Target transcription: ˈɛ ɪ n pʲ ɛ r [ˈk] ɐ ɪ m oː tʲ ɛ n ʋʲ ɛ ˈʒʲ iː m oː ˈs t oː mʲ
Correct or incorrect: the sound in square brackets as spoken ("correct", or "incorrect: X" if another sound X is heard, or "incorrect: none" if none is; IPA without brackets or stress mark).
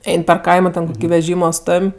correct